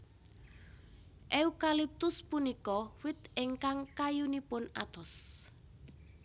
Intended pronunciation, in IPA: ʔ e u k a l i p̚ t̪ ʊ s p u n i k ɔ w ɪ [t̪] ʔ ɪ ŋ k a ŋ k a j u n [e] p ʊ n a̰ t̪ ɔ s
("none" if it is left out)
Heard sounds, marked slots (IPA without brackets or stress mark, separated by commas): t̪, i